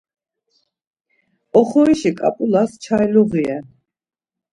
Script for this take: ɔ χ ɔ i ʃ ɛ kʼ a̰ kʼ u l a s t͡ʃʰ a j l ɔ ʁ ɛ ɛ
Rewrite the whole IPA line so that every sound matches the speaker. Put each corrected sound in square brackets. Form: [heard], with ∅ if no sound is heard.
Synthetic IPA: ɔ χ ɔ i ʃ [i] kʼ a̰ [pʼ] u l a s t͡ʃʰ a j l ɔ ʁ [i] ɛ